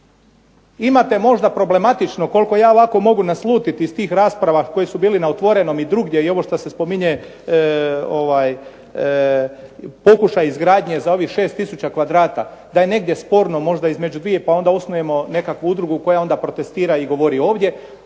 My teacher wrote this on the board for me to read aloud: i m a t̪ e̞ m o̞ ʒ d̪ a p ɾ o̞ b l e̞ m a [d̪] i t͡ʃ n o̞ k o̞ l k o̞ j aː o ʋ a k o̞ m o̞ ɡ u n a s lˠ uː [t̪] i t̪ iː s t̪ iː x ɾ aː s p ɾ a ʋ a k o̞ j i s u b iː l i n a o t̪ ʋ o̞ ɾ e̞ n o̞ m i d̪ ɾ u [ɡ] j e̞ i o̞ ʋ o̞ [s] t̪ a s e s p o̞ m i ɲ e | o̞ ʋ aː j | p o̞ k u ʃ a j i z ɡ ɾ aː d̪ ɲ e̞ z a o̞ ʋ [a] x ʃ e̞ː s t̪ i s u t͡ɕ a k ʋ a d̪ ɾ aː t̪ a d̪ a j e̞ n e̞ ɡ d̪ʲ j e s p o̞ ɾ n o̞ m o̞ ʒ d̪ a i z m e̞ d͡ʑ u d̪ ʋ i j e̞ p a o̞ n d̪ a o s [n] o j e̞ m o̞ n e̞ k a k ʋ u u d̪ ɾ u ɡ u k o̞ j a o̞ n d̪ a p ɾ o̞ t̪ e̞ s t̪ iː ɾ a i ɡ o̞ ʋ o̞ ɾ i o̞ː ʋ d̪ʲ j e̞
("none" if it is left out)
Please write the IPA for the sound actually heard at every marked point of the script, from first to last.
t̪, t̪, ɡ, ʃ, i, n

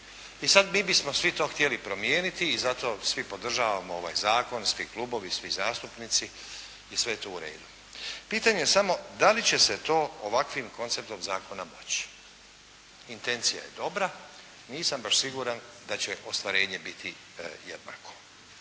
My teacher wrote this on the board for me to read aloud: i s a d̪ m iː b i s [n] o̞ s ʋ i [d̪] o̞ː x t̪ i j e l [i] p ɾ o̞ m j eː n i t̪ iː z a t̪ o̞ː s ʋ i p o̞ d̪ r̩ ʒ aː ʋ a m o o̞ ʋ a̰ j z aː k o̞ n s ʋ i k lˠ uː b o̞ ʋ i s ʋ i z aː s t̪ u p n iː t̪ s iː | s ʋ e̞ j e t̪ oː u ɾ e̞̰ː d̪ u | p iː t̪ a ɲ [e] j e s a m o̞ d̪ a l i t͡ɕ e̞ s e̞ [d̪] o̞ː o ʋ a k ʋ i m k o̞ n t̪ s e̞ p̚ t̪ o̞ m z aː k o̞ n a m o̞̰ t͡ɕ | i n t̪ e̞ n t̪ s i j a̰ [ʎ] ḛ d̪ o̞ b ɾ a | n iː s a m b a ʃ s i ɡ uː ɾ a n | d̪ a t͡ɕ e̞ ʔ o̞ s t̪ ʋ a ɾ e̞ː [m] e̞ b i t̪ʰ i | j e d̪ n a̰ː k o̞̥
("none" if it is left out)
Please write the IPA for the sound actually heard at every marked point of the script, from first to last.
m, t̪, i, e, t̪, j, ɲ

